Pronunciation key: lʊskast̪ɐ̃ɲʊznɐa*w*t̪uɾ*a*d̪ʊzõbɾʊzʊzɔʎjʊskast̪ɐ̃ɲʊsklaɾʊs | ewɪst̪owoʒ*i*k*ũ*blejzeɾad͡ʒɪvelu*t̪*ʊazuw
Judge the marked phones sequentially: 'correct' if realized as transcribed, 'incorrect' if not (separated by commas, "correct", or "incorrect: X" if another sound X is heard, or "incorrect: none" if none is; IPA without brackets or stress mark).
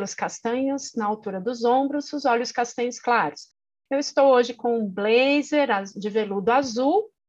correct, incorrect: ɐ, incorrect: ɪ, incorrect: õ, incorrect: d̪